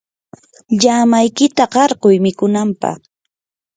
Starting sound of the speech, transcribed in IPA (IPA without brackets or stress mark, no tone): ʎ